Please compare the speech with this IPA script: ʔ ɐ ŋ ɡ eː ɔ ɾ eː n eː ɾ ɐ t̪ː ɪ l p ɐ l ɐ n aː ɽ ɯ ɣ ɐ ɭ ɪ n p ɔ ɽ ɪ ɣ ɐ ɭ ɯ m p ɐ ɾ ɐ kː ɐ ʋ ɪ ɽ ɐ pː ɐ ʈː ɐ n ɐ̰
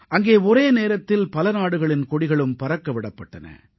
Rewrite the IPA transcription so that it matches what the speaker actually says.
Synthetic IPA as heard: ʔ ɐ ŋ ɡ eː ɔ ɾ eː n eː ɾ ɐ t̪ː ɪ l p ɐ l ɐ n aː ɽ ɯ ɣ ɐ ɭ ɪ n k ɔ ɽ ɪ ɣ ɐ ɭ ɯ m p ɐ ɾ ɐ kː ɐ ʋ ɪ ɽ ɐ pː ɐ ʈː ɐ n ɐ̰